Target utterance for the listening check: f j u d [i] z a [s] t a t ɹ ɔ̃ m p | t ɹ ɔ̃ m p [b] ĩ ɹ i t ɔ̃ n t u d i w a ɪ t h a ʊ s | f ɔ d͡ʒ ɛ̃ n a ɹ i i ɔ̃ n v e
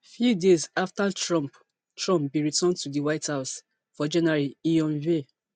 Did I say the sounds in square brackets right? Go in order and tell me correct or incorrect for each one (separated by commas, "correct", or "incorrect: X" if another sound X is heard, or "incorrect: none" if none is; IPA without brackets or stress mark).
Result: incorrect: e, incorrect: f, correct